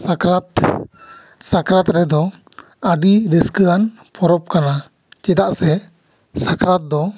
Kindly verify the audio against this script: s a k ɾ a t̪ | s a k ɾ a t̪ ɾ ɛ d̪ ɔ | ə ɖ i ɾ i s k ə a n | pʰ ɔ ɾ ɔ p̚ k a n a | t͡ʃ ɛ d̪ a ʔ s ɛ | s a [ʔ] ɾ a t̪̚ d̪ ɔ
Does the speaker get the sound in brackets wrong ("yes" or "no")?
yes